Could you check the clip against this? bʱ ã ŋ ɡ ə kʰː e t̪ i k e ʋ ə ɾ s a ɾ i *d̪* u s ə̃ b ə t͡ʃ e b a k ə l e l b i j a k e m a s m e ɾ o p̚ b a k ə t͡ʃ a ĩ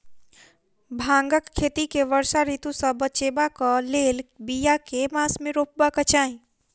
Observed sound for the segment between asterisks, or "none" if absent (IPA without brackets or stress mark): t̪